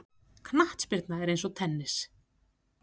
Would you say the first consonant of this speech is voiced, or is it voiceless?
voiceless